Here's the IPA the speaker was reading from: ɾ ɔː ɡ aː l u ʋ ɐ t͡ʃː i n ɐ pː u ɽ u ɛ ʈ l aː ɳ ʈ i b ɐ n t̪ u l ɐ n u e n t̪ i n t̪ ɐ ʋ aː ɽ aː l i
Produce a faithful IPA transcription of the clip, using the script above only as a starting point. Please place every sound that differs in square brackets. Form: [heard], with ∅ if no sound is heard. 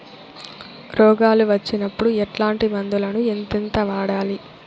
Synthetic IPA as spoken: ɾ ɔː ɡ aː l u ʋ ɐ t͡ʃː i n ɐ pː u ɽ u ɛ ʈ l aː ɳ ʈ i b ɐ n [d̪] u l ɐ n u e n t̪ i n t̪ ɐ ʋ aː ɽ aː l i